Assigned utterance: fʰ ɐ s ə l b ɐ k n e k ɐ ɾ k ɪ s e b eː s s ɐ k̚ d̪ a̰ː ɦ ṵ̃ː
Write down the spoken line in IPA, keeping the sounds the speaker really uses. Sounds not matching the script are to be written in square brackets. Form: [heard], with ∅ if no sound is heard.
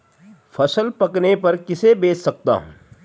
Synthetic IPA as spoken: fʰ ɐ s ə l [p] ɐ k n e [p] ɐ ɾ k ɪ s e b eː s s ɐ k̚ [t̪] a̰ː ɦ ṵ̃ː